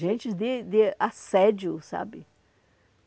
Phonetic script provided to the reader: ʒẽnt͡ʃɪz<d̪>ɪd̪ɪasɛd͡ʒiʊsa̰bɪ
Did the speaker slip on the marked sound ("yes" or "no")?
no